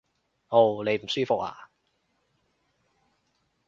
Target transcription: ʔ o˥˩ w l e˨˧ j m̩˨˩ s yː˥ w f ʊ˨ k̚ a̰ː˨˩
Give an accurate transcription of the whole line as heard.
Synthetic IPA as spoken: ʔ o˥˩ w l e˨˧ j m̩˨˩ s yː˥ f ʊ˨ k̚ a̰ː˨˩